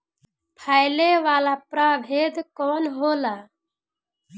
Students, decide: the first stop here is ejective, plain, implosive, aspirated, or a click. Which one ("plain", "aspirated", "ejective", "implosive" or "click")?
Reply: aspirated